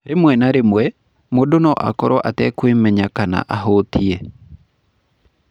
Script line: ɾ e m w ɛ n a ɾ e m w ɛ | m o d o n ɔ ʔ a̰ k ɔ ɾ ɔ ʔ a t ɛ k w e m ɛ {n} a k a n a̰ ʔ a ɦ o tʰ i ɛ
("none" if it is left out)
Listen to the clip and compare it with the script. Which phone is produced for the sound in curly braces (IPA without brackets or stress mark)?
ɲ